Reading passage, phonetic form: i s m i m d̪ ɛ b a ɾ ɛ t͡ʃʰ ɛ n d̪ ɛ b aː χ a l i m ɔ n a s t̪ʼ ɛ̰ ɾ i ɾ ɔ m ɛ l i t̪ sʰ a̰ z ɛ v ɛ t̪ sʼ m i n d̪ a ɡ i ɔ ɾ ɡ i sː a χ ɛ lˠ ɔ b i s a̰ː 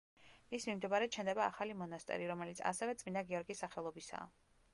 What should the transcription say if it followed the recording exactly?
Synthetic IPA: i s m i m d̪ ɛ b a ɾ ɛ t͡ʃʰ ɛ n d̪ ɛ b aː χ a l i m ɔ n a s t̪ʼ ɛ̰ ɾ i ɾ ɔ m ɛ l i t̪ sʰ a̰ s ɛ v ɛ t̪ sʼ m i n d̪ a ɡ i ɔ ɾ ɡ i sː a χ ɛ lˠ ɔ b i s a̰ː